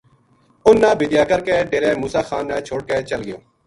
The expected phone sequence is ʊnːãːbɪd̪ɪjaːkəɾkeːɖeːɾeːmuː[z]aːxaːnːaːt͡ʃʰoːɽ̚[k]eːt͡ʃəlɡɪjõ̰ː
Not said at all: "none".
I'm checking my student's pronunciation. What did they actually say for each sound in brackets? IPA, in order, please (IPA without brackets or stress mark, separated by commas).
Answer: s, k